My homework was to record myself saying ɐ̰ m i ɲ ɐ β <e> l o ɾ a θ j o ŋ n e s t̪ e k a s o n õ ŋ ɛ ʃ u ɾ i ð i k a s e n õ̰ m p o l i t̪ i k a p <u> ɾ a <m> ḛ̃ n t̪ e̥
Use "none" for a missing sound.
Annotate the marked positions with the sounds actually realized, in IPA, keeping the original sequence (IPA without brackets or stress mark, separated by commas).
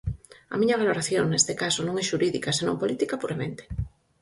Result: a, u, m